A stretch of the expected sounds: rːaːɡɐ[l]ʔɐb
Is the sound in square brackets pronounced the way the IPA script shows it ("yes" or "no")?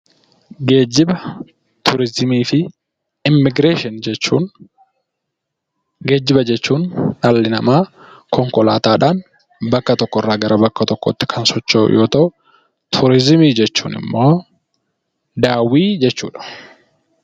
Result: no